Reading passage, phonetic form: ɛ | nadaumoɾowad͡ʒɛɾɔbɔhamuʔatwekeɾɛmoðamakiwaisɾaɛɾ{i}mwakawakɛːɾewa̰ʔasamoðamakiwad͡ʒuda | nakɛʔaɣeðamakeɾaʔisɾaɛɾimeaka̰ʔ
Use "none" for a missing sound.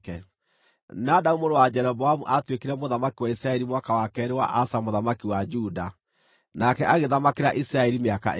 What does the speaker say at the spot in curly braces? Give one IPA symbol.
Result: i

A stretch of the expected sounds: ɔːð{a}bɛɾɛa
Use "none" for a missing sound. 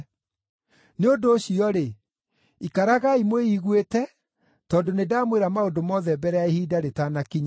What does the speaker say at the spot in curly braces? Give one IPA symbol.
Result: ɛ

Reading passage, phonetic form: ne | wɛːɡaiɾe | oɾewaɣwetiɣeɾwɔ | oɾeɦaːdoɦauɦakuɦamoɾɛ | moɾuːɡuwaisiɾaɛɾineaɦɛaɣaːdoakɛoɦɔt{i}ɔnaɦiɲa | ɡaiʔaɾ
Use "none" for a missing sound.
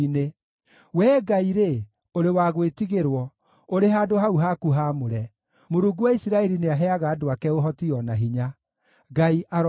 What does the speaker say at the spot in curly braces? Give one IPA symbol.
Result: i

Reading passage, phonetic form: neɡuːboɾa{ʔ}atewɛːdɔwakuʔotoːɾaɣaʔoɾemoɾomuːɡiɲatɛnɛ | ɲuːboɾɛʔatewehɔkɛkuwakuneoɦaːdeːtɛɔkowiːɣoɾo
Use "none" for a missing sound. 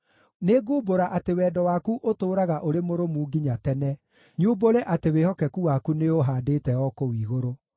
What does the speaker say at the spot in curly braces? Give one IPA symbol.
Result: ʔ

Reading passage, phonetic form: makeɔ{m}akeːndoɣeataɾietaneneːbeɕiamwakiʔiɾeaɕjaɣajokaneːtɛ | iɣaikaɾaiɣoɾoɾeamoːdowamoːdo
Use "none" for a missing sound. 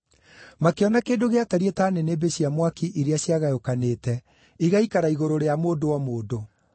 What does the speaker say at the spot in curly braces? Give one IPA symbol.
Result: n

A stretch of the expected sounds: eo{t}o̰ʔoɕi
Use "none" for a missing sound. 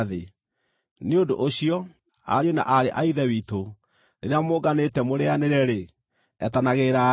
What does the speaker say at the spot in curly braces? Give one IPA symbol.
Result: d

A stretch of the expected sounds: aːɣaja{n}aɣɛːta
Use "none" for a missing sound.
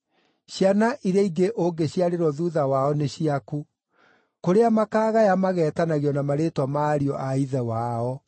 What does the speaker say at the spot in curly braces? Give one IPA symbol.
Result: m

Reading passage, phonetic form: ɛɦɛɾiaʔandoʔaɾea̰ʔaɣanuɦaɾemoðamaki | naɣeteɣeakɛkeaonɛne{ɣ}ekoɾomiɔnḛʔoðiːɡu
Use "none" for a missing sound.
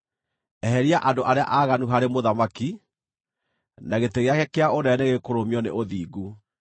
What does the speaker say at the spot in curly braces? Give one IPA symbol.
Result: ɣ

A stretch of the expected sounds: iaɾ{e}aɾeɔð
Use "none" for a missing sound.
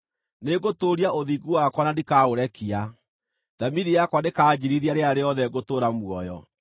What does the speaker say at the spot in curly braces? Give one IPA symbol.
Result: e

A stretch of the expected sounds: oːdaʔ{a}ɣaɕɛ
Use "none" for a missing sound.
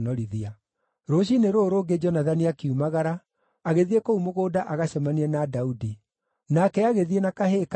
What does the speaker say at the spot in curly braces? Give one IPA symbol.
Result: a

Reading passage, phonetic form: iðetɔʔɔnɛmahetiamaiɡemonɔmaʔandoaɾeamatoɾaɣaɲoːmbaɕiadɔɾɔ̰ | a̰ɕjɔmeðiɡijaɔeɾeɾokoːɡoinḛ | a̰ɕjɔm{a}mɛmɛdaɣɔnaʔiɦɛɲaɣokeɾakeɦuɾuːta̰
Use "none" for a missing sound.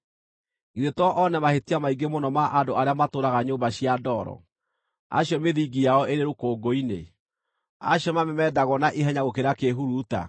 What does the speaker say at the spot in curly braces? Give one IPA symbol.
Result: a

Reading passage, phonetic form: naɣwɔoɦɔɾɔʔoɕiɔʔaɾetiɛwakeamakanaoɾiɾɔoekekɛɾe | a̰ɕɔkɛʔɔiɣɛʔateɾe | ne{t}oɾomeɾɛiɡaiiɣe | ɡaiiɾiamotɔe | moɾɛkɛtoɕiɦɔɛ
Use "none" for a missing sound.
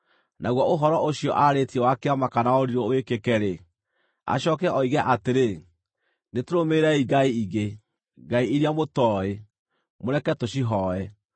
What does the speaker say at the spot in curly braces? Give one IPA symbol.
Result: t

